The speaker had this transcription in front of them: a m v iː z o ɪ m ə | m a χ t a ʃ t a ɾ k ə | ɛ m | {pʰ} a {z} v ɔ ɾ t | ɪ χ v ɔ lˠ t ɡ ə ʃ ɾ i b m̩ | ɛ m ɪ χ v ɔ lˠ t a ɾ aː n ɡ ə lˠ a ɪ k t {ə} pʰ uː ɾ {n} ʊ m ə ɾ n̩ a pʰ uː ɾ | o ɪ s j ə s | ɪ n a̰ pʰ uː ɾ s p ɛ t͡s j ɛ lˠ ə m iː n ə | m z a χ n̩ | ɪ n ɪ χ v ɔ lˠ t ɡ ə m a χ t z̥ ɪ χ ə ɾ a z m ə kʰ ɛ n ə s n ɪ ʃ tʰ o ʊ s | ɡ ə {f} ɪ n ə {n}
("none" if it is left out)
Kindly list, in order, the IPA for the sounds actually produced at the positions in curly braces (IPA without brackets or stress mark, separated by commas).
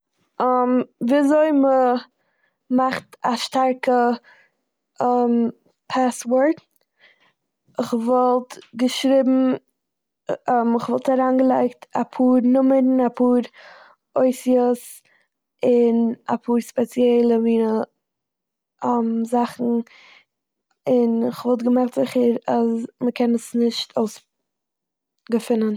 pʰ, s, a, n, f, n